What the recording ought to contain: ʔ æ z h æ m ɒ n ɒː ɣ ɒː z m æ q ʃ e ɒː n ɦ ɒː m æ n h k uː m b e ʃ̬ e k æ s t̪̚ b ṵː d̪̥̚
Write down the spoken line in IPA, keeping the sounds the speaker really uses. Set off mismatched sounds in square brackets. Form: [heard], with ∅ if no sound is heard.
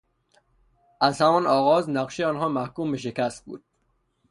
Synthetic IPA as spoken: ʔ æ z h æ m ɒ n ɒː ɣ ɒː z [n] æ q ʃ e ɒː n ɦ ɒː m æ [∅] h k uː m b e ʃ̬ e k æ s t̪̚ b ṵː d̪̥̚